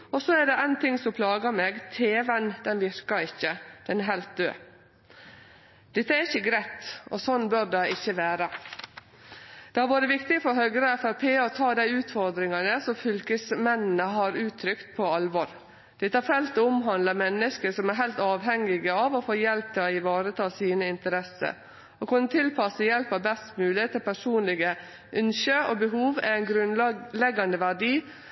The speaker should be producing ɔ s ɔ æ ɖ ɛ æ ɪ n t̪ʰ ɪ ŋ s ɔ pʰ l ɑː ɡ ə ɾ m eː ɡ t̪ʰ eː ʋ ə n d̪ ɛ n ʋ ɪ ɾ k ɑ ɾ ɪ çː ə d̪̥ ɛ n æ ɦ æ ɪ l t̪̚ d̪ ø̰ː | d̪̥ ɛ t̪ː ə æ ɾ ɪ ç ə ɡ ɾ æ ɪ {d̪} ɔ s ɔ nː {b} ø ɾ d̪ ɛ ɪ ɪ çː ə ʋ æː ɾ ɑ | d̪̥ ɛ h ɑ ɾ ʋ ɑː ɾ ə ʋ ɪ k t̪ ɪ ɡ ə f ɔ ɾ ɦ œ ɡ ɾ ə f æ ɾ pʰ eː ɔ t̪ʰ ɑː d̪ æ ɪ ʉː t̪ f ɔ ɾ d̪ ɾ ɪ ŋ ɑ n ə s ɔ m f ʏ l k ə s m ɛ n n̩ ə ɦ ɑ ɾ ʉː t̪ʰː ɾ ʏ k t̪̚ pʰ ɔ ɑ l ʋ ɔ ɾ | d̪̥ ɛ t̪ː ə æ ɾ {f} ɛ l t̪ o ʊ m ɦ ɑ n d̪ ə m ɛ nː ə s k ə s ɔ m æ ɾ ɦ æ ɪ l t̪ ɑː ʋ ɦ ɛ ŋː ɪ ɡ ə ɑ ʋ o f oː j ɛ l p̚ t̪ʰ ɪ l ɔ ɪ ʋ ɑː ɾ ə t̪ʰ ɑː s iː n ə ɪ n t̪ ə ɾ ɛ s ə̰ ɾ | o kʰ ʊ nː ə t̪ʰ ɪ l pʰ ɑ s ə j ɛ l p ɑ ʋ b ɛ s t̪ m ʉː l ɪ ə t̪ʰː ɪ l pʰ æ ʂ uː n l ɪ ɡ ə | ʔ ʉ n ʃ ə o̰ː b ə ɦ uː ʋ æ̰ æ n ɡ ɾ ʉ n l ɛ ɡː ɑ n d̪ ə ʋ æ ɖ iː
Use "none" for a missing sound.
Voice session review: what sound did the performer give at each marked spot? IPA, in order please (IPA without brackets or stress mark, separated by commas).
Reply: t̪, b, f